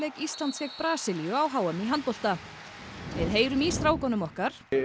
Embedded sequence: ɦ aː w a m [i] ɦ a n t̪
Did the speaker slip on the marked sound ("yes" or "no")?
no